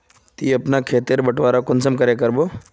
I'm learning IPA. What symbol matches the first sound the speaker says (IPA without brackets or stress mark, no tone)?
t̪